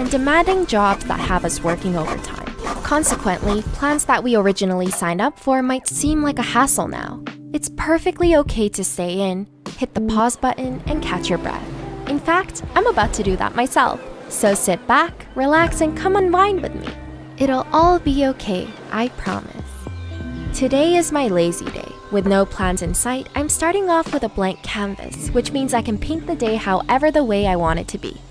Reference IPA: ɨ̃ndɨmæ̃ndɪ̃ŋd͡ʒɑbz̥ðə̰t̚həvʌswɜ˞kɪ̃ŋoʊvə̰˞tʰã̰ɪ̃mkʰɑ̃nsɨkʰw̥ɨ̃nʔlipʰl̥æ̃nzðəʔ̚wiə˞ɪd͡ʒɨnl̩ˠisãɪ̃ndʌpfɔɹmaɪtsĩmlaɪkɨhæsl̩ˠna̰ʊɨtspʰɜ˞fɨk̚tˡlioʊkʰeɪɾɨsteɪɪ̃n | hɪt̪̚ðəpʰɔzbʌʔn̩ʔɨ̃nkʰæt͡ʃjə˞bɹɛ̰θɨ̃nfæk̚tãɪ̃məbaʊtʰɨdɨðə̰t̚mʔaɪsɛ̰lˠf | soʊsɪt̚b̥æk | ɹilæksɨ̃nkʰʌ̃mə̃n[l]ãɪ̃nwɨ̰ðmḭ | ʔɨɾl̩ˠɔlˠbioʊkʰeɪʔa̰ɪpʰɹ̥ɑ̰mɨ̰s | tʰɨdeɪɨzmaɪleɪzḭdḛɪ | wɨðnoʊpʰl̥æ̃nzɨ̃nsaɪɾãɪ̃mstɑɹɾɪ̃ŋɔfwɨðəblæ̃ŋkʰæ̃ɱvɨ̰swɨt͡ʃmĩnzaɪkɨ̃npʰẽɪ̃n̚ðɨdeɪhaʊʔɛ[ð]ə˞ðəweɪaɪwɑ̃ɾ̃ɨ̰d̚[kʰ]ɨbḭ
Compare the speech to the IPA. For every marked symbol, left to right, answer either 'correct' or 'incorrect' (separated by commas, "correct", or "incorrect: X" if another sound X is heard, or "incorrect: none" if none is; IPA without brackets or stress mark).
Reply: correct, incorrect: v, incorrect: tʰ